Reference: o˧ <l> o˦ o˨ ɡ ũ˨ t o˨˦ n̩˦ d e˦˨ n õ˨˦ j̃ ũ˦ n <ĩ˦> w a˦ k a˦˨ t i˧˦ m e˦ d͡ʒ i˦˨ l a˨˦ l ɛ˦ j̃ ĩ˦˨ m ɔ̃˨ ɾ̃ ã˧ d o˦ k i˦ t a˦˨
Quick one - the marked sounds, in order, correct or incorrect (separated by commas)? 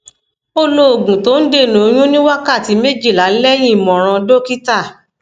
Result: correct, correct